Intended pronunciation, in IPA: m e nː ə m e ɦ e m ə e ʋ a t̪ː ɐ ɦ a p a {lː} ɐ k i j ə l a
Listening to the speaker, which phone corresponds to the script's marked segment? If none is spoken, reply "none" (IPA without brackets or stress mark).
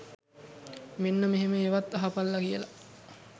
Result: lː